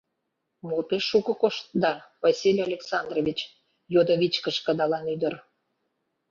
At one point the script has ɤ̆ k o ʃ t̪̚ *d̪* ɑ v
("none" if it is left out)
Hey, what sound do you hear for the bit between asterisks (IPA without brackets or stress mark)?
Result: d̪